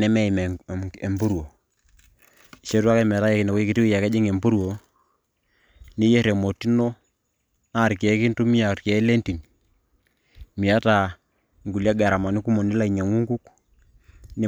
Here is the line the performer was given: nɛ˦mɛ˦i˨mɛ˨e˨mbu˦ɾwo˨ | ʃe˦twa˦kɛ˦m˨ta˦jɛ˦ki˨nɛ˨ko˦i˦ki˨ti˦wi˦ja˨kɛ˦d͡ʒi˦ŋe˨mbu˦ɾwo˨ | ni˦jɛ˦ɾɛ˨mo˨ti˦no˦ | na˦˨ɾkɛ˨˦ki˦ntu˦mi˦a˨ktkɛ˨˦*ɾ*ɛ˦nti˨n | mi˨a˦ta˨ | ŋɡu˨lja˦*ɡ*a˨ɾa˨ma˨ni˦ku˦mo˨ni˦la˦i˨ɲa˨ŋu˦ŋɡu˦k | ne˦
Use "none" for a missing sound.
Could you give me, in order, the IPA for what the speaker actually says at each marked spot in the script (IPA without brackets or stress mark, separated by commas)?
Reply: l, ɡ